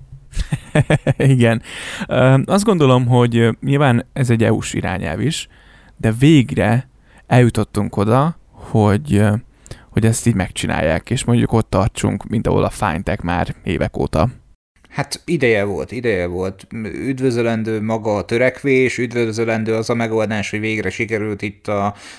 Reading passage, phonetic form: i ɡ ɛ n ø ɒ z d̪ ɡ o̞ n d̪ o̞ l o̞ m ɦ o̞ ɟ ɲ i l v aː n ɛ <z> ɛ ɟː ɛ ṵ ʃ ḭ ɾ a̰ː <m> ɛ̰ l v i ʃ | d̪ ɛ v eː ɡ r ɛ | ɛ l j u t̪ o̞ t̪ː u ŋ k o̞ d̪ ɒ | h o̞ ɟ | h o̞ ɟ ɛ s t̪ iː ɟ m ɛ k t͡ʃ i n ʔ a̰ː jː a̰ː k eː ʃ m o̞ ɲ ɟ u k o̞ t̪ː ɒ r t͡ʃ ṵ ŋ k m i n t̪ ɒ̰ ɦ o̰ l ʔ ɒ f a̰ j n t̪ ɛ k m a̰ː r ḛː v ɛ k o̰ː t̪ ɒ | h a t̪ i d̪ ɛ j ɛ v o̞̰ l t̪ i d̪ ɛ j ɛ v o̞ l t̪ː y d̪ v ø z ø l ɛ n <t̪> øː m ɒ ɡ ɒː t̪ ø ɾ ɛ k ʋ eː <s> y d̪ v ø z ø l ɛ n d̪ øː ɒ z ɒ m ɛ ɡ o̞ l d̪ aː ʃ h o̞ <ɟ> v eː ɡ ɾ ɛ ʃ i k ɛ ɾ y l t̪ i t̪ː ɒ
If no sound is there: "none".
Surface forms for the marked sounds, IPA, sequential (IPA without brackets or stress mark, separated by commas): z, ɲ, d̪, ʃ, ɟ